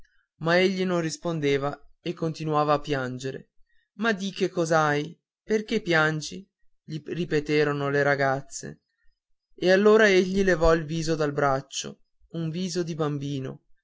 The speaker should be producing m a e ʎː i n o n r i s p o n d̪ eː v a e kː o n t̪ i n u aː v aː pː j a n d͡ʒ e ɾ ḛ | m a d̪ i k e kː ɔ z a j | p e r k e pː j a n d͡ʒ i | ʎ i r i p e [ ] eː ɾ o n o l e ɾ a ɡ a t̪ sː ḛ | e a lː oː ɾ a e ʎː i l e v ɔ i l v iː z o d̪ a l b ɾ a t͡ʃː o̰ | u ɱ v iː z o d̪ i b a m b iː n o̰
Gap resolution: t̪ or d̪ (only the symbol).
t̪